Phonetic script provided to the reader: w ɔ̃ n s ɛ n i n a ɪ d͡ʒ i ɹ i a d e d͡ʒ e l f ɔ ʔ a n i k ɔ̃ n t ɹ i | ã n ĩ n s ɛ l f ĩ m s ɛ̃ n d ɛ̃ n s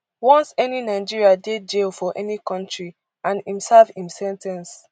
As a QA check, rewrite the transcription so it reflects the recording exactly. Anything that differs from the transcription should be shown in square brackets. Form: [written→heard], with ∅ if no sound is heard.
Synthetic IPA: w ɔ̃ n s ɛ n i n a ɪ d͡ʒ i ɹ i a d e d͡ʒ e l f ɔ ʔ [a→ɛ] n i k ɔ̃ n t ɹ i | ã n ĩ [n→m] s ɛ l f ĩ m s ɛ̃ n [d→t] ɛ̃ n s

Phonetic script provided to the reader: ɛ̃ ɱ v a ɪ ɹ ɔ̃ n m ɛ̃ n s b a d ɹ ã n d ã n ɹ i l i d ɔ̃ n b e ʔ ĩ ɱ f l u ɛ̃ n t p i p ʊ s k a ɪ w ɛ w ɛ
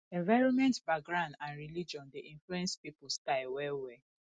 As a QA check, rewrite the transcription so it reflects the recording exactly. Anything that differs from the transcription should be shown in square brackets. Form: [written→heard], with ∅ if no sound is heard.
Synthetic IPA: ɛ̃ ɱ v a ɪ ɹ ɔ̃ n m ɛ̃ n [s→t] b a [d→ɡ] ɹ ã n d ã n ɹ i l i [d→d͡ʒ] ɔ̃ n [b→d] e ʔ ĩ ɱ f l u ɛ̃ n [t→s] p i p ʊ s k a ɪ w ɛ w ɛ

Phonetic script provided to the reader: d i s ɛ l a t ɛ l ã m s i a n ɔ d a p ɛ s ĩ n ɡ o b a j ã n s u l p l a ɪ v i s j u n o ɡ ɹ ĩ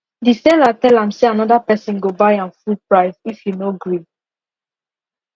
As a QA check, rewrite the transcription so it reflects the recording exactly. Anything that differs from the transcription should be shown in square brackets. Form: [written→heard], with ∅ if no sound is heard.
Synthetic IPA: d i s ɛ l a t ɛ l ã m s [i→e] a n ɔ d a p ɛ s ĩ n ɡ o b a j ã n [s→f] u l p [l→ɹ] a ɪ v i [s→f] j u n o ɡ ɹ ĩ

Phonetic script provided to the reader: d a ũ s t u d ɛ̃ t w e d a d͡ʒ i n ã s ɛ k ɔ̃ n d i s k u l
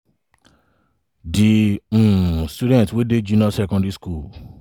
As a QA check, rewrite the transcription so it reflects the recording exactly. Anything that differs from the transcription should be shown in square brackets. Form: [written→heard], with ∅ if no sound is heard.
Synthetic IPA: d [a→i] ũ s t u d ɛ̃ t w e d [a→e] d͡ʒ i n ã s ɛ k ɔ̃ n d i s k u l

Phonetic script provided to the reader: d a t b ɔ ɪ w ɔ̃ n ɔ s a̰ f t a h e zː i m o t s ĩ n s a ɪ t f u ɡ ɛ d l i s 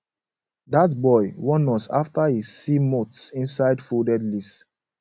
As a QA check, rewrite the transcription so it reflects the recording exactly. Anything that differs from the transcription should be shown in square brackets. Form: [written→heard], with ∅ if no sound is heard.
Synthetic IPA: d a t b ɔ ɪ w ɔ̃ n ɔ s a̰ f t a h [e→i] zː i m o t s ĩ n s a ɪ [t→d] f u [ɡ→d] ɛ d l i s

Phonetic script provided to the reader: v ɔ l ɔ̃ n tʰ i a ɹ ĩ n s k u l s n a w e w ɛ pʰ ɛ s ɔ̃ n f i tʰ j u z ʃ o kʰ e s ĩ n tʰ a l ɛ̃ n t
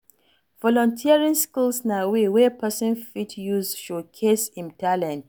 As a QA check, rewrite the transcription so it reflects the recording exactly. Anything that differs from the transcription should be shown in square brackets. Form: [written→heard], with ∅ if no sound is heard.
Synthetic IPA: v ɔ l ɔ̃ n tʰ i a ɹ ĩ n s k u l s n a w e w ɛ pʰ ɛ s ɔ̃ n f i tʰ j u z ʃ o kʰ e s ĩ n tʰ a l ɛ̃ n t

